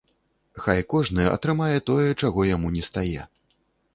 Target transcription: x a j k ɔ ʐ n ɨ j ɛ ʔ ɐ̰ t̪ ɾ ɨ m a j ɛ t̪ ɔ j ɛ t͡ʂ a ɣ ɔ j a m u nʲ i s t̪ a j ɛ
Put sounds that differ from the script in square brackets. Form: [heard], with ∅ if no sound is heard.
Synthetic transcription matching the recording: x a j k ɔ ʐ n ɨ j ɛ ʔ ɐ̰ t̪ ɾ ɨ m a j ɛ t̪ ɔ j ɛ t͡ʂ a ɣ ɔ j a m u nʲ [ɛ] s t̪ a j ɛ